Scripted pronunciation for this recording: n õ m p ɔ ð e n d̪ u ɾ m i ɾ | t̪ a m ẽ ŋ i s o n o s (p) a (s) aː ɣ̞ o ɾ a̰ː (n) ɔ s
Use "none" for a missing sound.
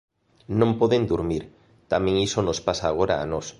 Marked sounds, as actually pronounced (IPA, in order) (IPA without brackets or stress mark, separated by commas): p, s, n